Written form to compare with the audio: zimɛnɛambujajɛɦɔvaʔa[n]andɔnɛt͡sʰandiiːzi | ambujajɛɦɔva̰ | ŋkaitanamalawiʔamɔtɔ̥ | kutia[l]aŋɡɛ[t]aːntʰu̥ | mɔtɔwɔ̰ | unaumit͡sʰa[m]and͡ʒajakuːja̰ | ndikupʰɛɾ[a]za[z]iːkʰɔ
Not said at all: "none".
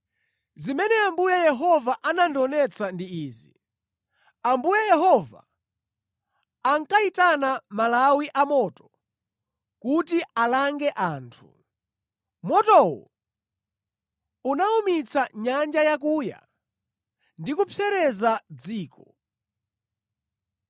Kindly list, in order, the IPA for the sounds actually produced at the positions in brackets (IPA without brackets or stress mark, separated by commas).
n, l, ʔ, ɲ, ɛ, d͡z